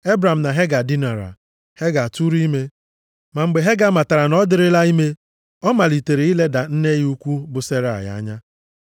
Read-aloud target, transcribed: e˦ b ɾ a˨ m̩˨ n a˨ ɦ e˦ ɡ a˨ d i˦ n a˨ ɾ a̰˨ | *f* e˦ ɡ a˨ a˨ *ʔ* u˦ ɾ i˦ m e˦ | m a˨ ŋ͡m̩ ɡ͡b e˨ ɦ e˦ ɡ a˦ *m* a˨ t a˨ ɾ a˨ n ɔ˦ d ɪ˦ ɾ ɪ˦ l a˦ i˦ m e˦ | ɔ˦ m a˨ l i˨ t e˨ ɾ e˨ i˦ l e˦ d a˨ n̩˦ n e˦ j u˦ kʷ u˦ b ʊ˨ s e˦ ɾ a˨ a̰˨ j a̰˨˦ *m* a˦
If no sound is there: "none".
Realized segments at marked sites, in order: h, t, m, ɲ

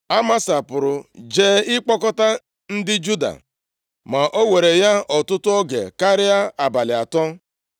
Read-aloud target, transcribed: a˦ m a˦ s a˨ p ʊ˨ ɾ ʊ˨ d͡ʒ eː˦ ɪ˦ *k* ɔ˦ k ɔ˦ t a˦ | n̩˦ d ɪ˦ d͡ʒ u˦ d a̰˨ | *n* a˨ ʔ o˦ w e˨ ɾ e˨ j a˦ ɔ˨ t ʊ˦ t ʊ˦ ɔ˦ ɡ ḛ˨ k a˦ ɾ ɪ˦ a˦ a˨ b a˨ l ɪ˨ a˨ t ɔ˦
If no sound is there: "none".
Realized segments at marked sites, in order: k͡p, m

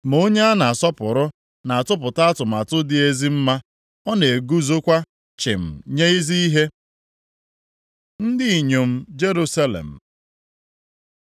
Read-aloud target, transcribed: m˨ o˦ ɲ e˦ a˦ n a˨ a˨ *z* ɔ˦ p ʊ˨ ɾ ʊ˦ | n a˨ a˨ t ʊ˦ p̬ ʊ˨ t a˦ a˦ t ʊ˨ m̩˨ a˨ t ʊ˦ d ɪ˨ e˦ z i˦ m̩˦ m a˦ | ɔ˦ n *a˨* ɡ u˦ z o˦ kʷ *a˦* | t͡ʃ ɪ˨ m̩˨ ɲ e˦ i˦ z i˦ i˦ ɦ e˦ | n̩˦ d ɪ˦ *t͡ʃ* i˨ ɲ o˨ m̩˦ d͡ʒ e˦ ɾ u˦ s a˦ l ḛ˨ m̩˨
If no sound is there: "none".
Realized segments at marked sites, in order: s, e˨, a˦, none

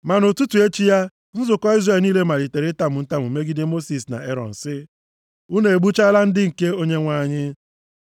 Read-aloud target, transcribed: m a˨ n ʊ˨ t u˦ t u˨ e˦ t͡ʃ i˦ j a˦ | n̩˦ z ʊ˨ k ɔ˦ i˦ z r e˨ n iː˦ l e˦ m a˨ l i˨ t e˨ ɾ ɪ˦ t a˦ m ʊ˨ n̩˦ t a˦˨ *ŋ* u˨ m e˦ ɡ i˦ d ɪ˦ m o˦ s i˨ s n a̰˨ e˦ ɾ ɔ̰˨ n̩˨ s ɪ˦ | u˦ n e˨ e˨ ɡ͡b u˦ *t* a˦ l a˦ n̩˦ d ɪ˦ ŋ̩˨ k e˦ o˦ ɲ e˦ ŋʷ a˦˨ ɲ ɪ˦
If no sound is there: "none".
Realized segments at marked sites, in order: m, t͡ʃ

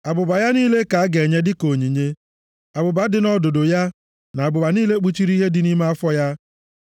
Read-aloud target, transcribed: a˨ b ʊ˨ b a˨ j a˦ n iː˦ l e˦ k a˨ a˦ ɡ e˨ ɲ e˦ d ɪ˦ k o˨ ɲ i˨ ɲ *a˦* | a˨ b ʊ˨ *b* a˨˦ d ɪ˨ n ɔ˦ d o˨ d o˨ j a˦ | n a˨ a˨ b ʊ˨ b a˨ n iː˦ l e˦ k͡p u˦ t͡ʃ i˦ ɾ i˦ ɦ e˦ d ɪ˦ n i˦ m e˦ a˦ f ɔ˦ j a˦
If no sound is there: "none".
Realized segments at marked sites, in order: e˦, b

